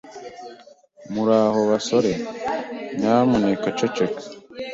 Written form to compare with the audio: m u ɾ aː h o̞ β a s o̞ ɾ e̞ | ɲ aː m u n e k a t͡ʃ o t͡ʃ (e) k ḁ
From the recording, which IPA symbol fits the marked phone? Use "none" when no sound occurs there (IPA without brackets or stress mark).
e